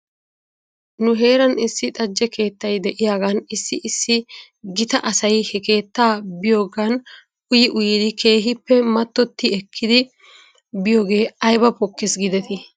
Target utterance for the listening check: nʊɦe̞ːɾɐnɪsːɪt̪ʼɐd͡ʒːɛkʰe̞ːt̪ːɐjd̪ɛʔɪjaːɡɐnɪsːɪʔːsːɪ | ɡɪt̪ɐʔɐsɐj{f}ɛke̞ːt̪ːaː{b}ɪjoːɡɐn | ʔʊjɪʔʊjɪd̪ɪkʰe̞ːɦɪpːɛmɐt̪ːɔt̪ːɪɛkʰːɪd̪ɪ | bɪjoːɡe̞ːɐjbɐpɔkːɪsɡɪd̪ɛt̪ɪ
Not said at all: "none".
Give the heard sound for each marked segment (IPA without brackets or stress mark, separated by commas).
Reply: h, b